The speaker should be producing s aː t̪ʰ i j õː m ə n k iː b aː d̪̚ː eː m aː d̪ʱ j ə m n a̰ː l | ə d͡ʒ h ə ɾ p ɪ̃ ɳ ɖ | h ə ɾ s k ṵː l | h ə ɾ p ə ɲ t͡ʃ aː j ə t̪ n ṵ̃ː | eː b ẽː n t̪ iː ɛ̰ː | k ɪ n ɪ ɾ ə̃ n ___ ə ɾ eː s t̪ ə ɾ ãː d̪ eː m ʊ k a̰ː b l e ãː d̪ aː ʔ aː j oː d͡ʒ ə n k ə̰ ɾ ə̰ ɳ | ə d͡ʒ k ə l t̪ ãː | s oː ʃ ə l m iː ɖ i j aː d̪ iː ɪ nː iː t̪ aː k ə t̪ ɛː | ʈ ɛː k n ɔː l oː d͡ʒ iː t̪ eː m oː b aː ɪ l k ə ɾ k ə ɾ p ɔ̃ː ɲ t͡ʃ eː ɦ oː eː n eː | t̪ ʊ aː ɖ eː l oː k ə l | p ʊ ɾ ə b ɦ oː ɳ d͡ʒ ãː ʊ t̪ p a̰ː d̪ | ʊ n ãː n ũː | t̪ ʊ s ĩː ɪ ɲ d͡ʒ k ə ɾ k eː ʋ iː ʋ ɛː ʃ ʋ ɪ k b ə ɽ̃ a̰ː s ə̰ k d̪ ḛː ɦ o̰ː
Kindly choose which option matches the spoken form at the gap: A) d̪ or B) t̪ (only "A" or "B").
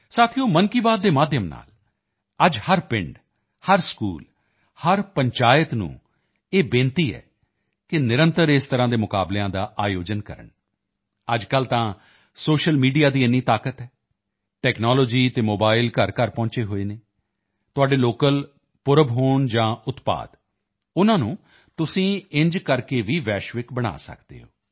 B